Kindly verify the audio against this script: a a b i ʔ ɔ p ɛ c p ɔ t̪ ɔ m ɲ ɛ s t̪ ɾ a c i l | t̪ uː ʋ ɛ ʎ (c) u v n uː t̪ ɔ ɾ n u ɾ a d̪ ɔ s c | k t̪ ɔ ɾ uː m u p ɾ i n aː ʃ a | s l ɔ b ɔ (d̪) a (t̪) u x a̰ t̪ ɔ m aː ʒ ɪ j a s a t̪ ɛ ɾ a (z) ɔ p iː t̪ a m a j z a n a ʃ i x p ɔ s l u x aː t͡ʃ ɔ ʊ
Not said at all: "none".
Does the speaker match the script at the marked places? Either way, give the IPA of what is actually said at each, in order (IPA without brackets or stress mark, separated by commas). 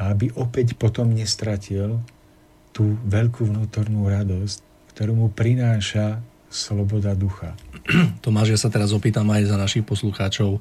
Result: k, d̪, d̪, z